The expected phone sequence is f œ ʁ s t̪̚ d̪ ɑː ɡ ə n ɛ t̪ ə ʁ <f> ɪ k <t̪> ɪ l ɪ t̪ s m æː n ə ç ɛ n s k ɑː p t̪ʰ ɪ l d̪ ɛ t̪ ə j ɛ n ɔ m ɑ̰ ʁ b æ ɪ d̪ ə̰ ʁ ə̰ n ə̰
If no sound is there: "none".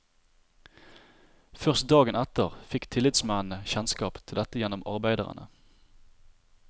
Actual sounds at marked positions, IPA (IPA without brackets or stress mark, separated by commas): f, t̪ʰ